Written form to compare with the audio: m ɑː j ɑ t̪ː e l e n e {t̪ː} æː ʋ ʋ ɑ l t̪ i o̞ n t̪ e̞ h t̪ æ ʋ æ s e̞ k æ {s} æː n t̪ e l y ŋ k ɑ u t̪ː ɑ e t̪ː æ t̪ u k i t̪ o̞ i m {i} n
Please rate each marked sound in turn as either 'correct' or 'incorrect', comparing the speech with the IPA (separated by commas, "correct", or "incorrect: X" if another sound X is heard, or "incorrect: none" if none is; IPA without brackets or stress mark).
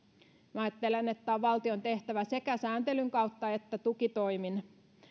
correct, correct, correct